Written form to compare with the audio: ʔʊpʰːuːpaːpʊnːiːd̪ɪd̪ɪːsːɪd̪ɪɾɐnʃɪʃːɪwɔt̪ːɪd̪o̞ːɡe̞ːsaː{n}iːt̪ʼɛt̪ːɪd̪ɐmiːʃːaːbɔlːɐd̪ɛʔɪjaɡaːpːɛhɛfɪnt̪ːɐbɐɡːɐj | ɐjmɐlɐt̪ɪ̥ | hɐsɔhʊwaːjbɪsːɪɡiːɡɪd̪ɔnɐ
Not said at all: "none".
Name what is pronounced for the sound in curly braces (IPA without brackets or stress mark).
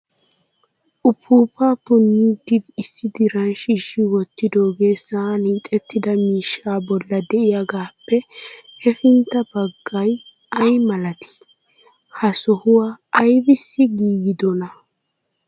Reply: n